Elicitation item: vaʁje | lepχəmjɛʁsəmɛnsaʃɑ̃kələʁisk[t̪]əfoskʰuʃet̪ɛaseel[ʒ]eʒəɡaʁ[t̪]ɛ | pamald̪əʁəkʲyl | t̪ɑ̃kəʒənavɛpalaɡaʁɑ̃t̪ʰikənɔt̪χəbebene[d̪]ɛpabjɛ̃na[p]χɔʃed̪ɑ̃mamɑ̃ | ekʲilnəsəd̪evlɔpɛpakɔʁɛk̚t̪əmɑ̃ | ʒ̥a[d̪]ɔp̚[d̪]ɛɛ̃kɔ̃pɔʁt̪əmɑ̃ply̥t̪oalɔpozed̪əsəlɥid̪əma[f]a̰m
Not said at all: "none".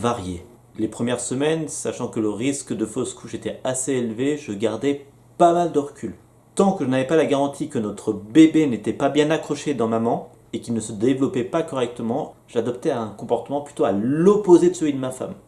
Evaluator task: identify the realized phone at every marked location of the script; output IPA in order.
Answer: d̪, v, d̪, t̪, k, d̪, t̪, f

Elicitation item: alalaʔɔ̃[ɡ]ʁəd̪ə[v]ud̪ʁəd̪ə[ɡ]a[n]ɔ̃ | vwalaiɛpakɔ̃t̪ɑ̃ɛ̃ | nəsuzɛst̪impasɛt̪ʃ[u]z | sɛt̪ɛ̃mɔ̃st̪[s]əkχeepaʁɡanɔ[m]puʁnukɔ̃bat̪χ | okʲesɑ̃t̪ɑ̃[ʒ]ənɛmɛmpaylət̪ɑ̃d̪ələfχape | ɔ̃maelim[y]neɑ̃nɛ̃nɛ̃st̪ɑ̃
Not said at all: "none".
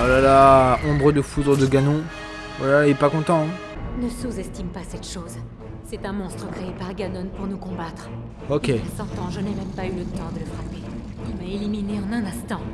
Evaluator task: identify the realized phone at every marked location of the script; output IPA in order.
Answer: b, f, ɡ, n, o, χ, n, ʒ, i

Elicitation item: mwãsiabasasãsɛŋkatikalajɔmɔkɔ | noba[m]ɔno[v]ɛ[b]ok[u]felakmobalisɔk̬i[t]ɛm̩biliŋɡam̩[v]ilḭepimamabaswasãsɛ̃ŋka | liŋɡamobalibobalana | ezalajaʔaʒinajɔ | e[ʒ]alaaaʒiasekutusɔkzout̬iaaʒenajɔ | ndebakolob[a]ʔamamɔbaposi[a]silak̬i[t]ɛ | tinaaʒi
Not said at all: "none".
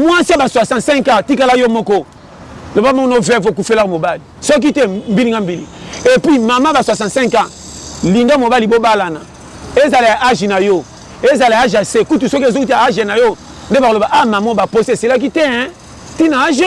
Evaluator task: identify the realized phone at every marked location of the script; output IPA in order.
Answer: m, v, v, u, t, b, z, a, e, t

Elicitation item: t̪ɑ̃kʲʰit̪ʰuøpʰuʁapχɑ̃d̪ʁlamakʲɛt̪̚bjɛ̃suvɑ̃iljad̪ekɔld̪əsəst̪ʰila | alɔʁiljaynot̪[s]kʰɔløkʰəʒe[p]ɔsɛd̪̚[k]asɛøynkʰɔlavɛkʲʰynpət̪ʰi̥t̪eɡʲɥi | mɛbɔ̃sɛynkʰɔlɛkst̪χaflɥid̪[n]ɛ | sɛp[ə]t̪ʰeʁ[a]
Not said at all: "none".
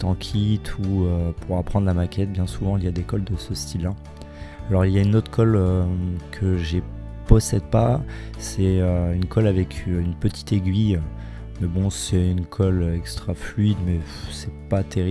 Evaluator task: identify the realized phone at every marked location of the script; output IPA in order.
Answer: χ, p, p, m, a, i

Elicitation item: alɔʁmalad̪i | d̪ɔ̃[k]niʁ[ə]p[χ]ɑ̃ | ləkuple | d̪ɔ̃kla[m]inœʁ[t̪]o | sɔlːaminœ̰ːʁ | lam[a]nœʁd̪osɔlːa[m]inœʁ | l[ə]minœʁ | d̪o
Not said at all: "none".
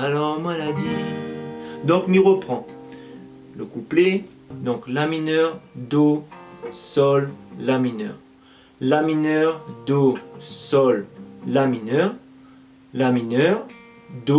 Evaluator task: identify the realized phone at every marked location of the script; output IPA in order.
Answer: k, ə, χ, m, d̪, i, m, a

